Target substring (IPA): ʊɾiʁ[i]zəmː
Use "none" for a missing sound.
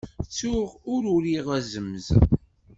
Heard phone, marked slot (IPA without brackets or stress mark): æ